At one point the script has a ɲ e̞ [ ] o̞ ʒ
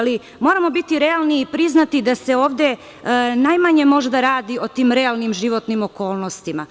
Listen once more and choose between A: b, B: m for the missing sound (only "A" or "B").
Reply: B